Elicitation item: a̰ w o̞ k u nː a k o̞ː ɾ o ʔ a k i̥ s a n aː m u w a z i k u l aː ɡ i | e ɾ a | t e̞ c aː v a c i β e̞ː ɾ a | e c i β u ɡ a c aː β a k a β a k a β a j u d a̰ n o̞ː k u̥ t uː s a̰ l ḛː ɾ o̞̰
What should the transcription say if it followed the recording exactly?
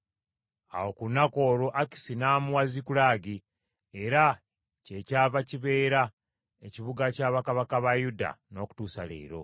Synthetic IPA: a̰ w o̞ k u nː a k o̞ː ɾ o ʔ a k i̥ s i n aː m u w a z i k u l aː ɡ i | e ɾ a | c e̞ c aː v a c i β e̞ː ɾ a | e c i β u ɡ a c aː β a k a β a k a β a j u d a̰ n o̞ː k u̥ t uː s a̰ l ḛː ɾ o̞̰